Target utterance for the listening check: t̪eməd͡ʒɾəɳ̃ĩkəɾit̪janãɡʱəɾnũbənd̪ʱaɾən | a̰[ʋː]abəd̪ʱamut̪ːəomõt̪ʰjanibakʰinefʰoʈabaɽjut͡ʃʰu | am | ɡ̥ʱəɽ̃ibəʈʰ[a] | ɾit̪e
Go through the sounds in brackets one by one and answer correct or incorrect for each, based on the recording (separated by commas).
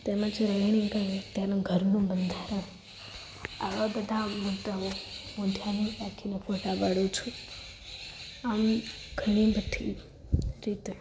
incorrect, incorrect